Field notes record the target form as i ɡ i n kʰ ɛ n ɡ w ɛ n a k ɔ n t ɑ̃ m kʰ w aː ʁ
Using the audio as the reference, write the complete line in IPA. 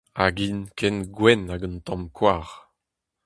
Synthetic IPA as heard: a ɡ i n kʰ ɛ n ɡ w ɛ n a ɡ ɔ n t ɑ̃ m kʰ w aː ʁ